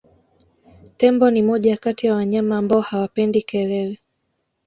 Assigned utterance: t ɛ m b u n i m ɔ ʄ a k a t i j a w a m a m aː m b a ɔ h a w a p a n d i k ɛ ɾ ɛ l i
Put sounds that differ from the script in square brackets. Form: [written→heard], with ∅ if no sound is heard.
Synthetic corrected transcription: t ɛ m b [u→ɔ] n i m ɔ ʄ a k a t i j a w a [m→ɲ] a m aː m b a ɔ h a w a p [a→ɛ] n d i k ɛ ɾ ɛ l [i→ɛ]